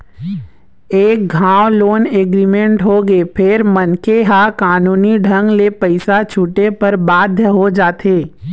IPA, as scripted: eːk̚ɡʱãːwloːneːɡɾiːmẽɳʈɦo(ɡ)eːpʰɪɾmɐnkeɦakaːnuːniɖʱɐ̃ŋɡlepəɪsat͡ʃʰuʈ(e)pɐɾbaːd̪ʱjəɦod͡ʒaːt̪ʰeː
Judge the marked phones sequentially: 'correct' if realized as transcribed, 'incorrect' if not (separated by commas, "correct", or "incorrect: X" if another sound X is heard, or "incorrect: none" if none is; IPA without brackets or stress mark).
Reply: correct, correct